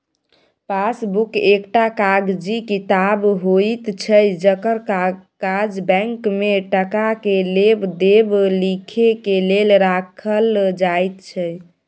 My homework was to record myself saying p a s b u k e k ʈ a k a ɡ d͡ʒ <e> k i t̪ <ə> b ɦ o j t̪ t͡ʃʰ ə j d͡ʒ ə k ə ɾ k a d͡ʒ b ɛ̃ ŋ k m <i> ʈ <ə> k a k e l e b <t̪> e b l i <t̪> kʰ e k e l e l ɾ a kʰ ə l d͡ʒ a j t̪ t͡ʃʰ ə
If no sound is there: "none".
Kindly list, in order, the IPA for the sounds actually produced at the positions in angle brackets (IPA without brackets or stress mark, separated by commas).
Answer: i, a, e, ə, d̪, none